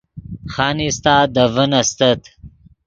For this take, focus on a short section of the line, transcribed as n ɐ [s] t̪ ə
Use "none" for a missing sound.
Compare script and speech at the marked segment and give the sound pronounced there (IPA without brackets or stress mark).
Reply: s